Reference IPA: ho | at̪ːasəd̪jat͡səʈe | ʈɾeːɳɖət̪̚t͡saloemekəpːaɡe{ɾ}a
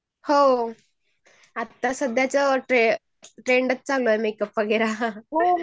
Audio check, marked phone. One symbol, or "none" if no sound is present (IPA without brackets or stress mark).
ɾ